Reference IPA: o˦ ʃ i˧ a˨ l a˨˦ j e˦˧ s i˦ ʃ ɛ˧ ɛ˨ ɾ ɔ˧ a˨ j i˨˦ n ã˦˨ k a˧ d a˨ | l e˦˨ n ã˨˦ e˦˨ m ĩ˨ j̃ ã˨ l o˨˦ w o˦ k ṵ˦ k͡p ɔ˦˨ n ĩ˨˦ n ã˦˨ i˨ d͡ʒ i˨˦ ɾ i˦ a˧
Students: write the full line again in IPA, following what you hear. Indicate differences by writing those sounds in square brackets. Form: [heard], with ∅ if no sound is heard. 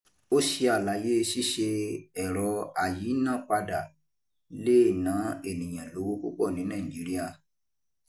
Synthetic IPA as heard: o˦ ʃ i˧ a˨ l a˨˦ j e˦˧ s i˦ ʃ [e˧] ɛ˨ ɾ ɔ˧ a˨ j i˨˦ n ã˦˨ [k͡p] a˧ d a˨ | l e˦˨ n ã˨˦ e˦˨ [n] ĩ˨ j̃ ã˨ l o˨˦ w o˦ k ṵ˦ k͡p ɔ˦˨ n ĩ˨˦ n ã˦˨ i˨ d͡ʒ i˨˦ ɾ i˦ a˧